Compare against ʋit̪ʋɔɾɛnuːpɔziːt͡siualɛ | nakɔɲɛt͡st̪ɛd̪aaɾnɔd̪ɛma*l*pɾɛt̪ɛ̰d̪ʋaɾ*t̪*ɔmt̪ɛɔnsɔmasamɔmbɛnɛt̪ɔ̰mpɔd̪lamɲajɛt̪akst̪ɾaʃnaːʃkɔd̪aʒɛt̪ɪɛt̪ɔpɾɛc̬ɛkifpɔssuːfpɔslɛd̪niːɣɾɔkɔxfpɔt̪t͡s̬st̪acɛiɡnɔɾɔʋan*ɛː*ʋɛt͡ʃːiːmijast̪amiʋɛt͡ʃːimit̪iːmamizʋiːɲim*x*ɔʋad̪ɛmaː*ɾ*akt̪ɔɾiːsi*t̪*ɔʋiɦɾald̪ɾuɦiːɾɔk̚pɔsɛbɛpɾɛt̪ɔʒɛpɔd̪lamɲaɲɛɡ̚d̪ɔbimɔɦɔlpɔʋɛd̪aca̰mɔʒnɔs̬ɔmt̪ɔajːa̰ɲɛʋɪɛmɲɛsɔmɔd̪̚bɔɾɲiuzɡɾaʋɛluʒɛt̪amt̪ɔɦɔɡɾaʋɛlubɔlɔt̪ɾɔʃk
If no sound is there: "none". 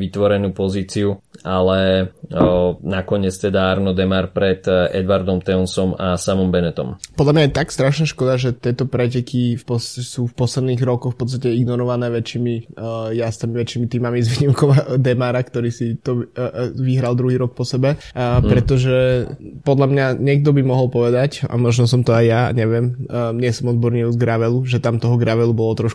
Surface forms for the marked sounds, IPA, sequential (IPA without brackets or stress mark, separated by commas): ɾ, d̪, ɛː, k, ɾ, t̪